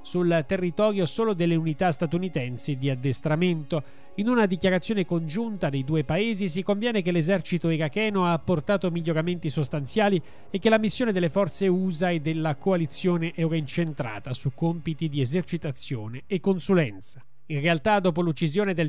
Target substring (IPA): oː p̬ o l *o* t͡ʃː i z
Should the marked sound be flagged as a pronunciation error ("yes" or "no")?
yes